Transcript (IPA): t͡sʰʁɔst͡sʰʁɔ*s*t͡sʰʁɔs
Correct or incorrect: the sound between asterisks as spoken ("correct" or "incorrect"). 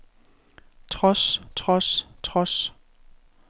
correct